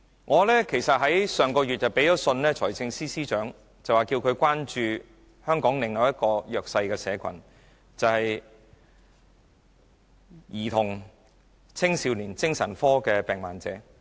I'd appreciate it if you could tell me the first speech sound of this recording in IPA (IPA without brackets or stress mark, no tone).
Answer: ŋ